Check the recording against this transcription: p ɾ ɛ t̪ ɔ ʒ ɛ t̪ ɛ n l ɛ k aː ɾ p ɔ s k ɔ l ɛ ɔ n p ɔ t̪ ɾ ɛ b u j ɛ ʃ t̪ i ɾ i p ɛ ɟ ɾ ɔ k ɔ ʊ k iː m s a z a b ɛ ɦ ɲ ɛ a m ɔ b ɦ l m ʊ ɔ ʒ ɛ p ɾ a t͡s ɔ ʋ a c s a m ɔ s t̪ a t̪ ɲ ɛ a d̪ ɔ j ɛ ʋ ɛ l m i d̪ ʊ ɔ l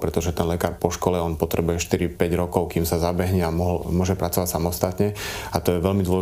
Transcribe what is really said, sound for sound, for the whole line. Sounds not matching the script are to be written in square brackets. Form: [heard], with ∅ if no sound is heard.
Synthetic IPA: p ɾ ɛ t̪ ɔ ʒ ɛ t̪ ɛ n l ɛ k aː ɾ p ɔ [ʃ] k ɔ l ɛ ɔ n p ɔ t̪ ɾ ɛ b u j ɛ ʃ t̪ i ɾ i p ɛ ɟ ɾ ɔ k ɔ ʊ k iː m s a z a b ɛ ɦ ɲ ɛ a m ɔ [∅] ɦ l m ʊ ɔ ʒ ɛ p ɾ a t͡s ɔ ʋ a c s a m ɔ s t̪ a t̪ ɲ ɛ a [t̪] ɔ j ɛ ʋ ɛ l m i d̪ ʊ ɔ l